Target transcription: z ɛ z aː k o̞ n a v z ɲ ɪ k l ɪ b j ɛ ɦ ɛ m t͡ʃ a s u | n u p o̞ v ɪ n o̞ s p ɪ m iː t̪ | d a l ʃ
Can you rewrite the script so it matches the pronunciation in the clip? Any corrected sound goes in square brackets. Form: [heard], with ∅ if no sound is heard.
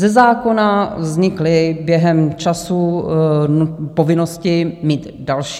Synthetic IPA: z ɛ z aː k o̞ n a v z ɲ ɪ k l ɪ b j ɛ ɦ ɛ m t͡ʃ a s u | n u p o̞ v ɪ n o̞ s [c] ɪ m iː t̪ | d a l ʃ